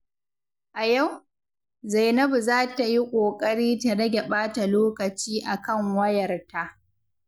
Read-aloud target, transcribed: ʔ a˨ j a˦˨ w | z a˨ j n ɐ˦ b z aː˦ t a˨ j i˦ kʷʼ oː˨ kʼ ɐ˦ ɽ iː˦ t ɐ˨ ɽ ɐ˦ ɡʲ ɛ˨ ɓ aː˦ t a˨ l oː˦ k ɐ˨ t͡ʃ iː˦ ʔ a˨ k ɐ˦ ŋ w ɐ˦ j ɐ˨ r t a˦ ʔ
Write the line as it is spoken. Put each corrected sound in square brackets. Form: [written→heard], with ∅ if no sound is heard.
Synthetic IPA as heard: ʔ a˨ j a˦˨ w | z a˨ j n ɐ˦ b z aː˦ t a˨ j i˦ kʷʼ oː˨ kʼ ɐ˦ ɽ iː˦ t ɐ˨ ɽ ɐ˦ ɡʲ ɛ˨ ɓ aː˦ t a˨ l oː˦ k ɐ˨ t͡ʃ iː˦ ʔ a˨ k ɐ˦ ŋ w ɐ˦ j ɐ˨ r t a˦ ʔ